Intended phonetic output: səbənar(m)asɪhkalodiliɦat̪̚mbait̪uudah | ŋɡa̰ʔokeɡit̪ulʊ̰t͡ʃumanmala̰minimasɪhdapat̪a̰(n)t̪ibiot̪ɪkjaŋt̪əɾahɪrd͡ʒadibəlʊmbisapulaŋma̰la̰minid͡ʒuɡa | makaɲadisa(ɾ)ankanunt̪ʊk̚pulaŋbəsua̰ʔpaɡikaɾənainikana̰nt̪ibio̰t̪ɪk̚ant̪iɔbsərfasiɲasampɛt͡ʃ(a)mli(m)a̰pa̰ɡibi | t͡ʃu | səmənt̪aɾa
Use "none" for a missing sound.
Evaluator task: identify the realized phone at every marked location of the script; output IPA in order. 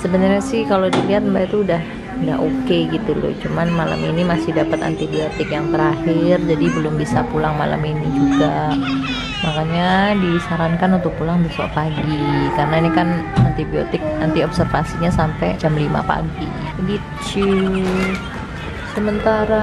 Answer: ɲ, n, ɾ, a, m

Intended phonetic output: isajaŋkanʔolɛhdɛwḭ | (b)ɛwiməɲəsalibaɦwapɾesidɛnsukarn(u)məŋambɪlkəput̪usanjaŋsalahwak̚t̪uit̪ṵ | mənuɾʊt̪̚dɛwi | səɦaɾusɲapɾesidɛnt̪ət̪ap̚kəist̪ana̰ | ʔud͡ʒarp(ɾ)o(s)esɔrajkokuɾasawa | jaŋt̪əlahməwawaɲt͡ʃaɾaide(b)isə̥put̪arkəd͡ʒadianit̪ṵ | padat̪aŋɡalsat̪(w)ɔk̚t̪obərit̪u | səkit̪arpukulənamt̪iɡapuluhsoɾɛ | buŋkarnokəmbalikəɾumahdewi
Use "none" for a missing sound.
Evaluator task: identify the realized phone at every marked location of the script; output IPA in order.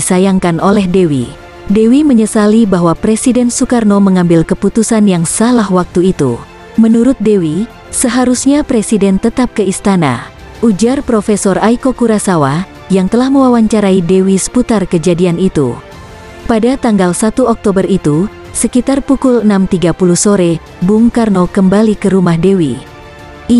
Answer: d, o, ɾ, f, w, u

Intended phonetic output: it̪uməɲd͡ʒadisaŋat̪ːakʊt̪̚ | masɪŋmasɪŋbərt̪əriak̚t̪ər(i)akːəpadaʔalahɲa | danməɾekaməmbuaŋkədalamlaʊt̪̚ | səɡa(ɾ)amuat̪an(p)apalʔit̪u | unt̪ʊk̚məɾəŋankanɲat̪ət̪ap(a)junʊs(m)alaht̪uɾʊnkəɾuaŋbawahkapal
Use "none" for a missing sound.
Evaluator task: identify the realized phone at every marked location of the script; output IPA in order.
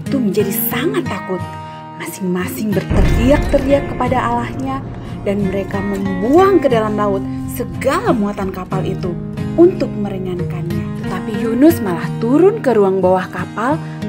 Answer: i, l, k, i, m

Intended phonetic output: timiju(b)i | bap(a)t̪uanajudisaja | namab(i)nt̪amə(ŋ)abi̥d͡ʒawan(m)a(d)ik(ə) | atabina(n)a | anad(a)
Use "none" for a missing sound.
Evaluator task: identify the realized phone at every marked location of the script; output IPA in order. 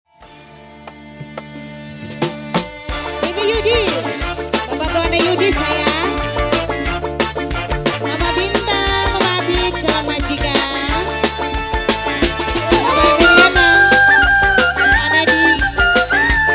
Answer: d, a, i, m, m, d͡ʒ, a, n, i

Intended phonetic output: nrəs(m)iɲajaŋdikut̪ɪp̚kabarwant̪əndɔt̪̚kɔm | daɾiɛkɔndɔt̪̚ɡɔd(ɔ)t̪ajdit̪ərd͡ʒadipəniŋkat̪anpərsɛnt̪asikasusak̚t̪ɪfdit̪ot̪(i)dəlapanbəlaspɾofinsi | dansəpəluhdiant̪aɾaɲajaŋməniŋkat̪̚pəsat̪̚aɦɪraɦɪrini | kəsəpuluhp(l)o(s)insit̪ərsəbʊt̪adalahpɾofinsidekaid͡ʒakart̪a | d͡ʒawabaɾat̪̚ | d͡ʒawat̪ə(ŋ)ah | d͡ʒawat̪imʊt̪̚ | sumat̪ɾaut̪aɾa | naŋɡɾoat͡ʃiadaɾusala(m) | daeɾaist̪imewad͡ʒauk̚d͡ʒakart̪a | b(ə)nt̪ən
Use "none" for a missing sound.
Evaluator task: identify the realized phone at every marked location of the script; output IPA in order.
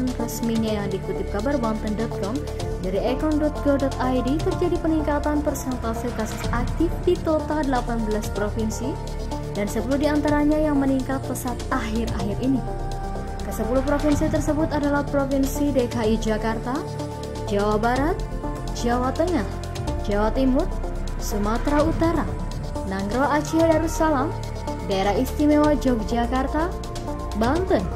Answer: m, ɔ, a, ɾ, f, ŋ, m, a

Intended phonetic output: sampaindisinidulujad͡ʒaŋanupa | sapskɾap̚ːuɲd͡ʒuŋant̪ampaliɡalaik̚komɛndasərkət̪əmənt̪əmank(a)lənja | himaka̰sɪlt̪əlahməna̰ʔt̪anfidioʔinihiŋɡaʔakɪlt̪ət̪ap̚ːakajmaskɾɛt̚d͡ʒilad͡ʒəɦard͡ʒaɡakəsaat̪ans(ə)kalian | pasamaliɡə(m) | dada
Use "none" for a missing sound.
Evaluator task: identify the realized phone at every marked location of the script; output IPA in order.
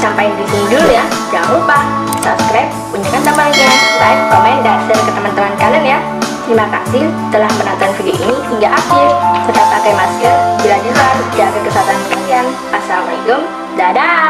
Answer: a, ə, m

